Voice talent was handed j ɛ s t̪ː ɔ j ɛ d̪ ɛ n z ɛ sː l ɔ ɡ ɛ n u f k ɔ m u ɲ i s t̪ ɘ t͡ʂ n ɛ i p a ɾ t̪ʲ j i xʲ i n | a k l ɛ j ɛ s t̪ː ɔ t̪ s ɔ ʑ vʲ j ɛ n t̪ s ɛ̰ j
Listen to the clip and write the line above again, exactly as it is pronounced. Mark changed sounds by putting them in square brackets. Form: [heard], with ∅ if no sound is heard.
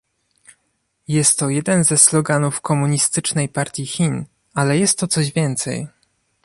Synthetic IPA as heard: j ɛ s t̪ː ɔ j ɛ d̪ ɛ n z ɛ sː l ɔ ɡ [a] n u f k ɔ m u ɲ i s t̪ ɘ t͡ʂ n ɛ [j] p a ɾ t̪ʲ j i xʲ i n | a [∅] l ɛ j ɛ s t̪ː ɔ t̪ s ɔ ʑ vʲ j ɛ n t̪ s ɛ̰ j